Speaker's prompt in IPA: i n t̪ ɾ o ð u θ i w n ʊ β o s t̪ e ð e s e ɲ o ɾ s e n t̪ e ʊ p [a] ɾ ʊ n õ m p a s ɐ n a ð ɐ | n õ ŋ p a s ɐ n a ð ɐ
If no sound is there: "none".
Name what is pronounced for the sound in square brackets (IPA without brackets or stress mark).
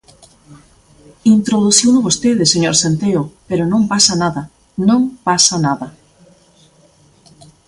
e